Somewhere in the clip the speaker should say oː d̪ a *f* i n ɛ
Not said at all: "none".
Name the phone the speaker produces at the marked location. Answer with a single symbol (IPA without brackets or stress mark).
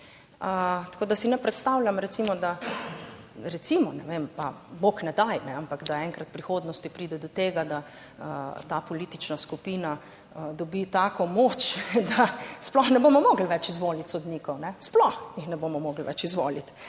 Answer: s